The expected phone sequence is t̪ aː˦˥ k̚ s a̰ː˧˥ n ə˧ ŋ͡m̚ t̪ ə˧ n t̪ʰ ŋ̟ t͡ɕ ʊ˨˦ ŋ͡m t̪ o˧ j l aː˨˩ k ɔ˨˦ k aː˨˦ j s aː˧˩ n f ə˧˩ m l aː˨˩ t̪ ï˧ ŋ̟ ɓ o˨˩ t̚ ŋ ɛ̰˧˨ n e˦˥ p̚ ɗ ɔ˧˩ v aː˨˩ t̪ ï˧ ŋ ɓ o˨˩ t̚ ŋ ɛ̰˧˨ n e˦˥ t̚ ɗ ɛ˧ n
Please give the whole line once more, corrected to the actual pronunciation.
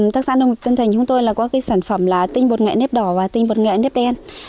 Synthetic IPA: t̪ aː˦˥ k̚ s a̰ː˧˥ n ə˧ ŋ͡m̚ t̪ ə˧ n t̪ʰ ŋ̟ t͡ɕ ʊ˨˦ ŋ͡m t̪ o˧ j l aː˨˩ k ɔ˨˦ k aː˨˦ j s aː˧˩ n f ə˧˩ m l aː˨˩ t̪ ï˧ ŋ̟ ɓ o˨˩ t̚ ŋ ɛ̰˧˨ n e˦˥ p̚ ɗ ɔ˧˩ v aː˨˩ t̪ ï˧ ŋ ɓ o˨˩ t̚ ŋ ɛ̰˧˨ n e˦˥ p̚ ɗ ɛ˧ n